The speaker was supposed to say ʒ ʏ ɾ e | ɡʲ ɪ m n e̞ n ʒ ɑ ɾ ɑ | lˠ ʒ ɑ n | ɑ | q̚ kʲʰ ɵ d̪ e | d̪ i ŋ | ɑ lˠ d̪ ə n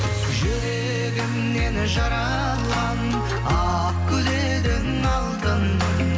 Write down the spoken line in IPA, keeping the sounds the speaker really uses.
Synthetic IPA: ʒ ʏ ɾ e | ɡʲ ɪ m n e̞ n ʒ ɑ ɾ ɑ | lˠ ʁ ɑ n | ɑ | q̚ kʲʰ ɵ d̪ e | d̪ ɪ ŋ | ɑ lˠ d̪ ə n